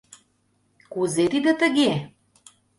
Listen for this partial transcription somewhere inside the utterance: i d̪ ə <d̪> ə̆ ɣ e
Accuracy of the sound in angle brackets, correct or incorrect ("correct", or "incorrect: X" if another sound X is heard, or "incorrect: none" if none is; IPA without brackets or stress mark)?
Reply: incorrect: t̪